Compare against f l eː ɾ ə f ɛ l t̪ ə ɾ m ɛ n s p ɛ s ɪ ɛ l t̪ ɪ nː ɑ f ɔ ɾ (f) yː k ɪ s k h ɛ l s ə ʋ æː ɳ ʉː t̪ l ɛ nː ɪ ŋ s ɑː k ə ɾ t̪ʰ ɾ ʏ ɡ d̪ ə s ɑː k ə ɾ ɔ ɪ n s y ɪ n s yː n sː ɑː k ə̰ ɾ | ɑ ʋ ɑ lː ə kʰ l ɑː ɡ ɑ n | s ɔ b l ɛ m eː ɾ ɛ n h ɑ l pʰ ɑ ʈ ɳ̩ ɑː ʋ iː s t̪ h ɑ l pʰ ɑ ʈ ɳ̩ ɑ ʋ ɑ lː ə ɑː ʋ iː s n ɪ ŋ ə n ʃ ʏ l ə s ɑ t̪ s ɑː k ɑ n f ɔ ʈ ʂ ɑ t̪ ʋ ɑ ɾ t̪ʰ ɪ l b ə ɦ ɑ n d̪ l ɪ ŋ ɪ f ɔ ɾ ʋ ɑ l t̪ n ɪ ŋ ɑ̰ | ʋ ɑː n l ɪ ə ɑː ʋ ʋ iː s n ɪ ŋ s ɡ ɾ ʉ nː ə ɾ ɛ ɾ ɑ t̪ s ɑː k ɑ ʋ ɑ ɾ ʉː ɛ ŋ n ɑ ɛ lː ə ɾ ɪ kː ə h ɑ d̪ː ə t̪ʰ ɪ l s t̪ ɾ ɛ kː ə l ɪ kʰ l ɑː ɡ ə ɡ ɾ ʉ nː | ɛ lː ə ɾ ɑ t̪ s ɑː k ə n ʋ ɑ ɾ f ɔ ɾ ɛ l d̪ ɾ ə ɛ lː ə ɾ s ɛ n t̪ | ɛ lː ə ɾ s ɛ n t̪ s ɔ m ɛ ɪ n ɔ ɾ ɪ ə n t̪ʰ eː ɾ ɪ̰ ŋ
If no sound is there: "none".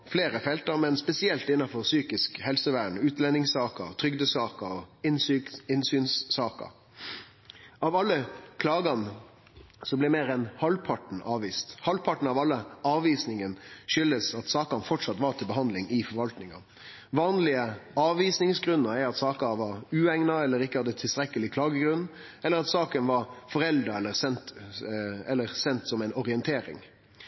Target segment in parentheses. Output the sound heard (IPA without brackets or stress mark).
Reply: s